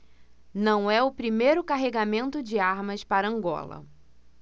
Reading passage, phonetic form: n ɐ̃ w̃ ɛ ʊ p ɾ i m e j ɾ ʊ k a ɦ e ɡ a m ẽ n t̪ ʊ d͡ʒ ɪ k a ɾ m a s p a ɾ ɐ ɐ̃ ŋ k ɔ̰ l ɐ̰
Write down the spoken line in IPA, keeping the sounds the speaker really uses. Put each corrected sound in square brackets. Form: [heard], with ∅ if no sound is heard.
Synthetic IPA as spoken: n ɐ̃ w̃ ɛ ʊ p ɾ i m e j ɾ ʊ k a ɦ e ɡ a m ẽ n t̪ ʊ d͡ʒ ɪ [∅] a ɾ m [ɐ] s p a ɾ ɐ ɐ̃ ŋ [ɡ] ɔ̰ l ɐ̰